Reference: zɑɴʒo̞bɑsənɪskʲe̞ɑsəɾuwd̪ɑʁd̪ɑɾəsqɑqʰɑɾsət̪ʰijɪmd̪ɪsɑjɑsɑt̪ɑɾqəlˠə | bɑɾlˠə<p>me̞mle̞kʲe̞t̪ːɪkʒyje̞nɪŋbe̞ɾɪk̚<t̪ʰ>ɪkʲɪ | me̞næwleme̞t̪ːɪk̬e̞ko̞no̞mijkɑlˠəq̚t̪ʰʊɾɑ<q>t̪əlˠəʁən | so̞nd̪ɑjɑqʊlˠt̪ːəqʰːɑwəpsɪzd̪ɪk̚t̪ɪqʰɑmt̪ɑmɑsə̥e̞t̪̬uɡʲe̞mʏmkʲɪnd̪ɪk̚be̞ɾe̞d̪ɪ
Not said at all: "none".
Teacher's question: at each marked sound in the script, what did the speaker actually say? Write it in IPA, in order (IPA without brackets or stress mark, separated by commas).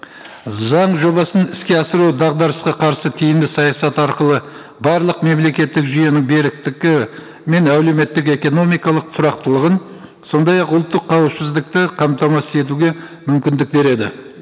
q, t̪, q